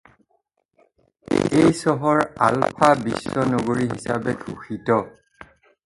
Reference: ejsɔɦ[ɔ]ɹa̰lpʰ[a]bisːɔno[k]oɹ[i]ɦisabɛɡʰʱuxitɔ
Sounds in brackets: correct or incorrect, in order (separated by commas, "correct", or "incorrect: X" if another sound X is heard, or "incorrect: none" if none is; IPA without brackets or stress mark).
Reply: correct, correct, incorrect: ɡ, correct